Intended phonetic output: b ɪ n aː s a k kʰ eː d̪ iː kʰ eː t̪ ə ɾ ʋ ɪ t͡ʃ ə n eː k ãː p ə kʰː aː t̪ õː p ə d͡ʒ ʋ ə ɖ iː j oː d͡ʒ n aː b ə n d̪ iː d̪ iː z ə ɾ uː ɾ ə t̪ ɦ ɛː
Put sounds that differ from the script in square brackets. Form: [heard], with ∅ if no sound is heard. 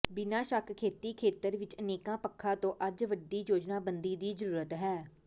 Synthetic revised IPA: b ɪ n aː [ʃ] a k kʰ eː [t̪] iː kʰ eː t̪ ə ɾ ʋ ɪ t͡ʃ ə n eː k ãː p ə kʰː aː t̪ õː [ʔ] ə d͡ʒ ʋ ə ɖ iː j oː d͡ʒ n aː b ə n d̪ iː d̪ iː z ə ɾ uː ɾ ə t̪ ɦ ɛː